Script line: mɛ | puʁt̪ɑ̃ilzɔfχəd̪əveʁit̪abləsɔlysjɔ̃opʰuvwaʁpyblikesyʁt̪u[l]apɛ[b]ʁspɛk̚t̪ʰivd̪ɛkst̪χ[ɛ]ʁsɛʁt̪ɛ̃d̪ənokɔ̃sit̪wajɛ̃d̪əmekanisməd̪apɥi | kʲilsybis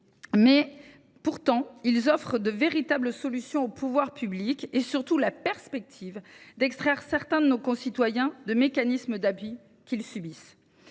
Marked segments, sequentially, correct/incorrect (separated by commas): correct, incorrect, correct